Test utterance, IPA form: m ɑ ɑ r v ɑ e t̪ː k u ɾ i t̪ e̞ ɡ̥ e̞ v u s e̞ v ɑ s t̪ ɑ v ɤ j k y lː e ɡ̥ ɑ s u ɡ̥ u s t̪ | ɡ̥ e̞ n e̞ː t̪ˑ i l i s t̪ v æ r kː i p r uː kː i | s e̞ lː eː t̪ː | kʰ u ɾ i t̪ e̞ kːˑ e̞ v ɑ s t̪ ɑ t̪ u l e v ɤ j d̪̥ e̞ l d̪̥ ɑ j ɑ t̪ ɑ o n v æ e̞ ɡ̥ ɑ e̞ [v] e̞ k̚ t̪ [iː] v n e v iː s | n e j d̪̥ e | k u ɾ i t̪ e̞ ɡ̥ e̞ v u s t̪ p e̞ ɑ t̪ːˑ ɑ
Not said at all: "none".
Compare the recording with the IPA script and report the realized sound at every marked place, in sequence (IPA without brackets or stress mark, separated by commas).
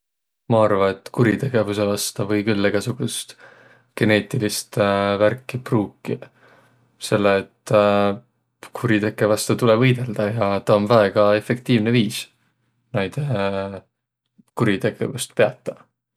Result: f, iː